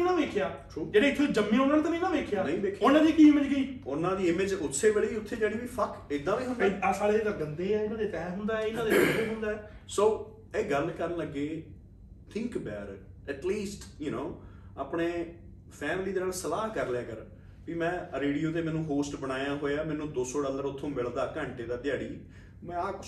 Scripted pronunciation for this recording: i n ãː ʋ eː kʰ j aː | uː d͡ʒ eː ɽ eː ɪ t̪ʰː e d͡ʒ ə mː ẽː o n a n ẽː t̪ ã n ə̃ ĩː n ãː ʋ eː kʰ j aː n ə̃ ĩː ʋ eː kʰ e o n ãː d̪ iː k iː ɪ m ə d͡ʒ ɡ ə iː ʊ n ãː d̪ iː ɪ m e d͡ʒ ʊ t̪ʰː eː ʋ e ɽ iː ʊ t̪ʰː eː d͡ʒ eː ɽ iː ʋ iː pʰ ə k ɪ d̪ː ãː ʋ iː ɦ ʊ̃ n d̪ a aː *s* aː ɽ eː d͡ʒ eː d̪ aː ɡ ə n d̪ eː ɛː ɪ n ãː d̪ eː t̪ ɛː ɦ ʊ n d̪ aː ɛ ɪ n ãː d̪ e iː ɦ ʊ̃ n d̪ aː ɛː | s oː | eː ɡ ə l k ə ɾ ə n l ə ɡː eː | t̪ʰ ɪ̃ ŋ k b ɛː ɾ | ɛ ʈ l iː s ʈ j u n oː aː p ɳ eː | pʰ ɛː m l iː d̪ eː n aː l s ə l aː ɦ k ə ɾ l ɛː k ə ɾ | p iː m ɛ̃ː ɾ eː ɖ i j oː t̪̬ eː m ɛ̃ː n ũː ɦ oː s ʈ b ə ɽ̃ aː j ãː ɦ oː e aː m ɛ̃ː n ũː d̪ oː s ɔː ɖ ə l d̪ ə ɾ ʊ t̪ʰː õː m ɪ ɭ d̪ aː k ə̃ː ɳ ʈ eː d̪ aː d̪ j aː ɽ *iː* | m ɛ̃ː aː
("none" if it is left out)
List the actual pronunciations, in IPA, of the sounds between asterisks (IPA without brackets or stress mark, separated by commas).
s, iː